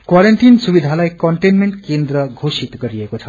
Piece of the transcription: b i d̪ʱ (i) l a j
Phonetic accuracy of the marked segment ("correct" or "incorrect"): incorrect